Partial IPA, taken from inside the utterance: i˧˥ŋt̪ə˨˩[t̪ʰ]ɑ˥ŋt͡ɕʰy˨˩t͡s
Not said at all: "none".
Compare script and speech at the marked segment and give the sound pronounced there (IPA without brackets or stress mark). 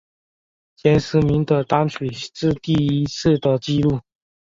t̪